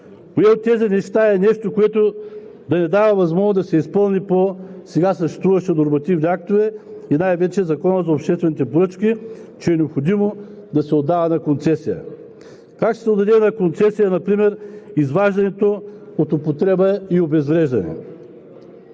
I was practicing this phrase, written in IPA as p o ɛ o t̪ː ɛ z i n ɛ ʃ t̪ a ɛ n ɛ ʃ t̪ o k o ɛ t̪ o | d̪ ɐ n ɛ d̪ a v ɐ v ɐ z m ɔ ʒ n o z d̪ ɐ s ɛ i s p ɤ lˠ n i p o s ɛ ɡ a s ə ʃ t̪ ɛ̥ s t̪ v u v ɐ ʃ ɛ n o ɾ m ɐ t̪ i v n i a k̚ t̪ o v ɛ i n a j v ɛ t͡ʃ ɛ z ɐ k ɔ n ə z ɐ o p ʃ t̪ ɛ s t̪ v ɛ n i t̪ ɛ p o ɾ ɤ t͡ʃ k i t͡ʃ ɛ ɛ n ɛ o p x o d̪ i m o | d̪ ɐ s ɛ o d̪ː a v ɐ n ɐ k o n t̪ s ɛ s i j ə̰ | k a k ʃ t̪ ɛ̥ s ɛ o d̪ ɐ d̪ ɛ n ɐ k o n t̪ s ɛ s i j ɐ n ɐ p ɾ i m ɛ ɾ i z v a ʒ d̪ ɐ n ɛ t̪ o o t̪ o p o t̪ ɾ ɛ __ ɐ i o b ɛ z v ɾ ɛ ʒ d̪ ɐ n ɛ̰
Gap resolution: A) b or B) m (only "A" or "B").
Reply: A